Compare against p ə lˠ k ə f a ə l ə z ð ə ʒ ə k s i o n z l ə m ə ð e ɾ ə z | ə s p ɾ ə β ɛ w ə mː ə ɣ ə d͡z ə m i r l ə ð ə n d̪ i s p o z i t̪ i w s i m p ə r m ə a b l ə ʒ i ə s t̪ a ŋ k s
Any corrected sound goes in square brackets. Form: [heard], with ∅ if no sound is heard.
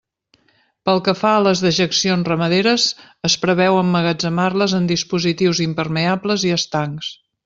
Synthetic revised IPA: p ə lˠ k ə f a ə l ə z ð ə ʒ ə k s i o n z [r] ə m ə ð e ɾ ə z | ə s p ɾ ə β ɛ w ə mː ə ɣ ə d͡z ə m [a] r l ə [z] ə n d̪ i s p [u] z i t̪ i w [z] i m p ə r m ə a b l ə [z] i ə s t̪ a ŋ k s